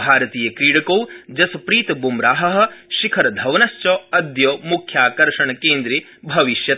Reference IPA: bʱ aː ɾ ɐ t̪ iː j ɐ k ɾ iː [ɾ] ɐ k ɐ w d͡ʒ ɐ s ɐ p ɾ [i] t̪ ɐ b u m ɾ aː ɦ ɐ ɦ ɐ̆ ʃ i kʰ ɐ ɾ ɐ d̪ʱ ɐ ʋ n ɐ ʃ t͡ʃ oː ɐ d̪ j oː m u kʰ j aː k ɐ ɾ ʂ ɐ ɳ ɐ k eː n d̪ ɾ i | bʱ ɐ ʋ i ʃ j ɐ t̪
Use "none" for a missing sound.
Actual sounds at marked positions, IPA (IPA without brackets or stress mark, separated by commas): ɽ, iː